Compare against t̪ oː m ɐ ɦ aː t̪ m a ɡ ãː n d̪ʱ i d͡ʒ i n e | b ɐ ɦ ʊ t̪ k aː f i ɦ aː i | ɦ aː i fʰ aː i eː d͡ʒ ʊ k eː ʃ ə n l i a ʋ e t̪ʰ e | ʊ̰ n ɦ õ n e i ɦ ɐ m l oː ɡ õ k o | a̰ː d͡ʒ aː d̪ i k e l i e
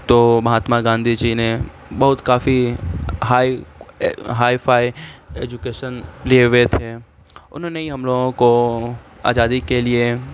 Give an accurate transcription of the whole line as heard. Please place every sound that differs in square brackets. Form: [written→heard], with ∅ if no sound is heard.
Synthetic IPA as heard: t̪ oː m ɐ ɦ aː t̪ m a ɡ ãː n d̪ʱ i d͡ʒ i n e | b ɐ ɦ ʊ t̪ k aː f i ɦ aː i | ɦ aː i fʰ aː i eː d͡ʒ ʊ k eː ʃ ə n l i [a→e] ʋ e t̪ʰ e | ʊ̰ n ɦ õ n e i ɦ ɐ m l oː ɡ õ k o | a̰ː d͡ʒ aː d̪ i k e l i e